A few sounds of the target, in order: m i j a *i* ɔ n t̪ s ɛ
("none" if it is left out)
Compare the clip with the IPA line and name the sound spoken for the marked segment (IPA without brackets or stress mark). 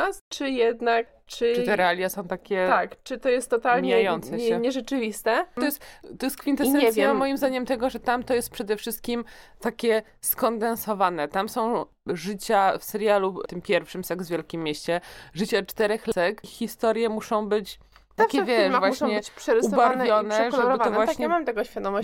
j